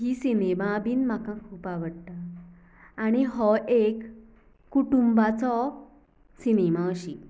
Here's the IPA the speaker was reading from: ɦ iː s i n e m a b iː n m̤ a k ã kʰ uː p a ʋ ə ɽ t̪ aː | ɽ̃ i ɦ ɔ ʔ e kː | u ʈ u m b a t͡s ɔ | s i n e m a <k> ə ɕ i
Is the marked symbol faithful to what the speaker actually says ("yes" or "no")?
no